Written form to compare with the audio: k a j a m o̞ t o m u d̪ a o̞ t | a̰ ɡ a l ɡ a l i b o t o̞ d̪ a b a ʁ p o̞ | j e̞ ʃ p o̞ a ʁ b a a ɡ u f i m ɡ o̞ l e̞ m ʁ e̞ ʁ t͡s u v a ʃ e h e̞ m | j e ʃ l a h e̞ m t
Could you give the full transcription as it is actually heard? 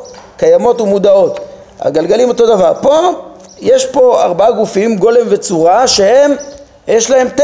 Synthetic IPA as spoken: k a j a m o̞ t u m u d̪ a o̞ t | a̰ ɡ a l ɡ a l i m o t o̞ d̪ a v a ʁ p o̞ | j e̞ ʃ p o̞ a ʁ b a a ɡ u f i m ɡ o̞ l e̞ m v e̞ t͡s u ʁ a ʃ e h e̞ m | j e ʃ l a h e̞ m t